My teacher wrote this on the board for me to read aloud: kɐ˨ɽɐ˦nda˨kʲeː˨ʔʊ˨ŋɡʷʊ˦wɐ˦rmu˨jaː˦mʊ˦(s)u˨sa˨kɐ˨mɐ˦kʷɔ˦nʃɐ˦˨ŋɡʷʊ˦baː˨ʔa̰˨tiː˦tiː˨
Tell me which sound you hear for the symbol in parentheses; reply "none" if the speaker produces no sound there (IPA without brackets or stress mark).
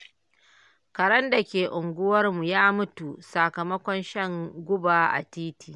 t